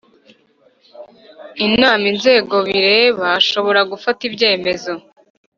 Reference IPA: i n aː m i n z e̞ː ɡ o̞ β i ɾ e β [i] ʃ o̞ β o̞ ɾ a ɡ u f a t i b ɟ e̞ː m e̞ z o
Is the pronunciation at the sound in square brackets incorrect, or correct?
incorrect: a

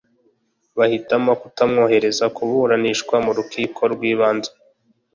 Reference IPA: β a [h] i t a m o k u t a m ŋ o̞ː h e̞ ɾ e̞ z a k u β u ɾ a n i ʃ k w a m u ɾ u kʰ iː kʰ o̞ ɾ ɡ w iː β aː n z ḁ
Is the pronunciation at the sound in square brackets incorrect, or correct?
correct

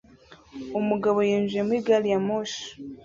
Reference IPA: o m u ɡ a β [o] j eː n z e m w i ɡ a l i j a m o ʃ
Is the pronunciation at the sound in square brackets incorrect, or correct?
correct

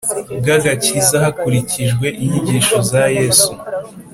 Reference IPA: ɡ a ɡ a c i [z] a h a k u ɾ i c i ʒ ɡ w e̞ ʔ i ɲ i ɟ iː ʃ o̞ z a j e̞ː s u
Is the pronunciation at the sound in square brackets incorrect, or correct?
correct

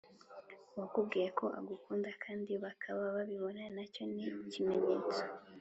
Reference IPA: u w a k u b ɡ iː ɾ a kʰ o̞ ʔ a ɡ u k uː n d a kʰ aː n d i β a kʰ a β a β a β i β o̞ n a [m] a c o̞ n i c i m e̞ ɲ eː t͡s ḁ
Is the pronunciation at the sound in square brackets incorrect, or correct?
incorrect: n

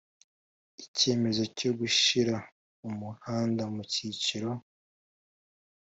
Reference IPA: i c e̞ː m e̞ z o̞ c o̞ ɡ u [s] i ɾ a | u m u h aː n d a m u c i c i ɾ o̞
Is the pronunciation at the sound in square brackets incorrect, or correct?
incorrect: ʃ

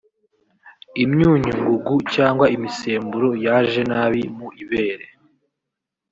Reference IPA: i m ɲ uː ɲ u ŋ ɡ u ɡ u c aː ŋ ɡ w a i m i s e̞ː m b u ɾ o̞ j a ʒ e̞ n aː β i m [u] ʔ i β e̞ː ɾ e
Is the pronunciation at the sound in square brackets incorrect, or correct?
correct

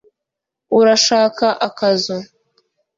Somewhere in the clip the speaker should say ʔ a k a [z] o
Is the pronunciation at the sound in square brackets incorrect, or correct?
correct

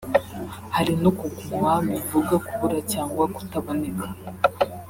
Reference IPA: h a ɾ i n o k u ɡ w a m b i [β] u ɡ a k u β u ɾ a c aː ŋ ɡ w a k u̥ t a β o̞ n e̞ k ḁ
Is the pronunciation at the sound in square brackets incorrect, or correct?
incorrect: v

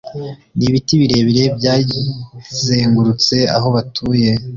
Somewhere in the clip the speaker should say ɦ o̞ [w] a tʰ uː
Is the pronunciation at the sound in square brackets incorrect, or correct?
incorrect: β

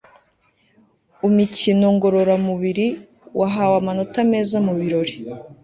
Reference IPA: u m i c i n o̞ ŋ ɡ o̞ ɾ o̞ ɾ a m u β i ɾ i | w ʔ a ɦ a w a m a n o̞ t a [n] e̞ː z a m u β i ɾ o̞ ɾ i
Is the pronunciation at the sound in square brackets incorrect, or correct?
incorrect: m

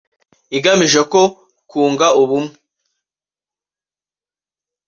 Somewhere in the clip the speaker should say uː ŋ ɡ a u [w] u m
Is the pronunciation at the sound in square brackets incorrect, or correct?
incorrect: β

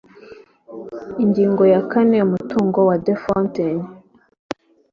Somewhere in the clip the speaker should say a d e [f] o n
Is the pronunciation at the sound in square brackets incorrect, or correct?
correct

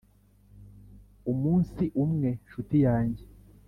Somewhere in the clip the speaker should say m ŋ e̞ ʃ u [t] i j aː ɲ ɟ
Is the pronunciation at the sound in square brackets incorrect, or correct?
correct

